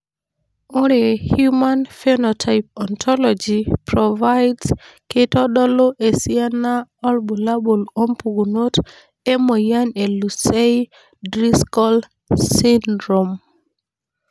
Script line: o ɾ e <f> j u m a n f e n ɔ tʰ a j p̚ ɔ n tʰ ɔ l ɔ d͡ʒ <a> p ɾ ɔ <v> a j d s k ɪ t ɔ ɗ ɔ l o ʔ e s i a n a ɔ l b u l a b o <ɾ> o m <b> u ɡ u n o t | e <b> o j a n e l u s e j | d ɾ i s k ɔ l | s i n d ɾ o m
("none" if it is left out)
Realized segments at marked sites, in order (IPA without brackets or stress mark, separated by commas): h, i, v, l, p, m